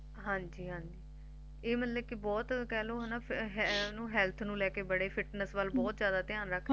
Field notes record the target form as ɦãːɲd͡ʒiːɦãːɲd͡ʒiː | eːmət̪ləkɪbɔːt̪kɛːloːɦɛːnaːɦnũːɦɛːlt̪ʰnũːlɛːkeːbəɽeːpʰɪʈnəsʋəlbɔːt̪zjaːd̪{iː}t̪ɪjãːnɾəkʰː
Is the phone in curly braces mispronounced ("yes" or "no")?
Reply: yes